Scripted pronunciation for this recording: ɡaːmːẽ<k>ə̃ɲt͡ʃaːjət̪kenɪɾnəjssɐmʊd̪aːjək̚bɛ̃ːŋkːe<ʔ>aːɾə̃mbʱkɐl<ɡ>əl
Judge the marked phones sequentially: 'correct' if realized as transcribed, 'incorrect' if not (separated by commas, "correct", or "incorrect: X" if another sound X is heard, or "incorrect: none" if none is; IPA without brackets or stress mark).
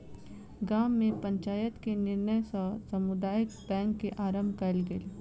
incorrect: p, correct, correct